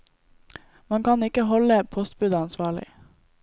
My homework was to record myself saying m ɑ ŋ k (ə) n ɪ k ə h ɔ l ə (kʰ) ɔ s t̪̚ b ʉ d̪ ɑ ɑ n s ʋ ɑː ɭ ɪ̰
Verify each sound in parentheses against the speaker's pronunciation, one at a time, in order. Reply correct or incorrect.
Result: incorrect, incorrect

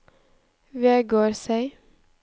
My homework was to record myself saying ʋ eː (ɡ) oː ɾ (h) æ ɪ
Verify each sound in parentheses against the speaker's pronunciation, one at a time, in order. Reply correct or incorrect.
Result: correct, incorrect

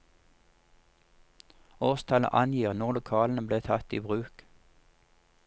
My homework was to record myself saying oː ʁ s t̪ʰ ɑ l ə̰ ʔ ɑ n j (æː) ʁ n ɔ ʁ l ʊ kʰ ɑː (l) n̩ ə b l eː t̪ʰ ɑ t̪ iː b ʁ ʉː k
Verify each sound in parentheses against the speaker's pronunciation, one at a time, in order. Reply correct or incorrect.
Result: incorrect, correct

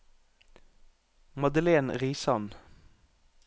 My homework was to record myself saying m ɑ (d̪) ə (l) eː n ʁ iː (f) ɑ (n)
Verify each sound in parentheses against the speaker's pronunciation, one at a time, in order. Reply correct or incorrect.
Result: correct, correct, incorrect, correct

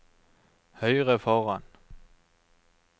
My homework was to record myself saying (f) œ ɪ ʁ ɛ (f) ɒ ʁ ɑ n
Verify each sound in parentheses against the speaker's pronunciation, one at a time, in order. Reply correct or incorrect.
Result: incorrect, correct

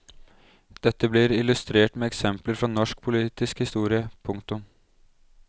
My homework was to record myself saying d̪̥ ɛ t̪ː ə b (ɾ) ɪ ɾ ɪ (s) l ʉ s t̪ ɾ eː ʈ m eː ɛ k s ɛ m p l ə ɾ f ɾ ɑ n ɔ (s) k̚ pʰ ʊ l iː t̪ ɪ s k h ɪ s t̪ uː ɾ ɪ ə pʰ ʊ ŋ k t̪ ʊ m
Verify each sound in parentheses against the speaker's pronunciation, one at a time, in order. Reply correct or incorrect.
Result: incorrect, incorrect, incorrect

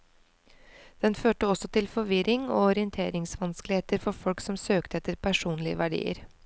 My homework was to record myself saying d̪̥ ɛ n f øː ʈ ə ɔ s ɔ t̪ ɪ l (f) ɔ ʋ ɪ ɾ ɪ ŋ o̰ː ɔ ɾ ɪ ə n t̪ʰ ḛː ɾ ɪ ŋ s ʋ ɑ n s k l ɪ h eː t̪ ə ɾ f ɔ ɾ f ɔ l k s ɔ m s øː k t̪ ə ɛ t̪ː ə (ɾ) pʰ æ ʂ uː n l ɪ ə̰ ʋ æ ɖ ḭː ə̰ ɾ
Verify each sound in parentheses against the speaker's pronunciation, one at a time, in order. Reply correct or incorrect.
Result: correct, correct

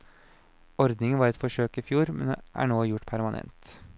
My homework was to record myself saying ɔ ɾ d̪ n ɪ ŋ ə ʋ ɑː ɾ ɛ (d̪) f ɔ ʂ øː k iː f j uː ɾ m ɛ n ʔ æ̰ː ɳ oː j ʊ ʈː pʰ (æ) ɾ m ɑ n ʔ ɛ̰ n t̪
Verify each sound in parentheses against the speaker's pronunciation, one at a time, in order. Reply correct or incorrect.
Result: incorrect, correct

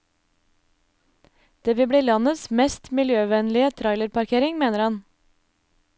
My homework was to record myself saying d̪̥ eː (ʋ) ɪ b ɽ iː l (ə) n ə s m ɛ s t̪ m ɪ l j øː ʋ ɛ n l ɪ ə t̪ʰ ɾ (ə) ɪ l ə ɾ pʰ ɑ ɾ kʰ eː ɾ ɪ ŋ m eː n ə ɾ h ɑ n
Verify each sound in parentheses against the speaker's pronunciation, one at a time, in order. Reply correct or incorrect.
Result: correct, incorrect, incorrect

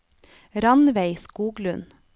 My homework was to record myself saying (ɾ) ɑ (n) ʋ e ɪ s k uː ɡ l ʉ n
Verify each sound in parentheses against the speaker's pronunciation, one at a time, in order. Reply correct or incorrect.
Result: correct, correct

